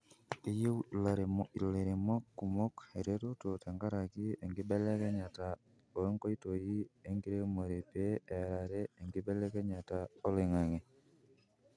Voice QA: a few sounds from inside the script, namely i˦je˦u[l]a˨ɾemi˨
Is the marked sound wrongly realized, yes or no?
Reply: no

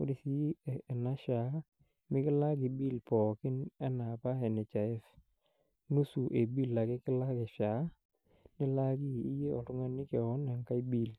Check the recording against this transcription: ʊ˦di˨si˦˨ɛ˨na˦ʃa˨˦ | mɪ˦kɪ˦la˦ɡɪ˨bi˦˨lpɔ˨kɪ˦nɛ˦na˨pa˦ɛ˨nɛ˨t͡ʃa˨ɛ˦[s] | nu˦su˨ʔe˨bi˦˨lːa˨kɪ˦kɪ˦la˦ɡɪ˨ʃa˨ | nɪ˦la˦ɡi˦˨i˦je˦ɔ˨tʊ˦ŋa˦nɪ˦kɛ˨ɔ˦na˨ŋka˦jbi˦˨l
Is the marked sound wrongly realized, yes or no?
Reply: yes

